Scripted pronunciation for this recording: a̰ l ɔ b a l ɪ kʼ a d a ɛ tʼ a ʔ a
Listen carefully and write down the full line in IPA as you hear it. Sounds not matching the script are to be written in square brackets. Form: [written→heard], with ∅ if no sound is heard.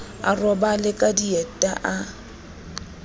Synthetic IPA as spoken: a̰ [l→r] ɔ b a l ɪ kʼ a d [a→i] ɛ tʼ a ʔ a